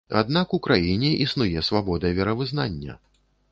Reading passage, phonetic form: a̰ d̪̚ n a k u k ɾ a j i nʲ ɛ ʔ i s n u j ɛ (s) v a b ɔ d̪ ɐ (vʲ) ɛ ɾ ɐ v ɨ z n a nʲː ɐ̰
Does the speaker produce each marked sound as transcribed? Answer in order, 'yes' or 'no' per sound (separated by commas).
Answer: yes, yes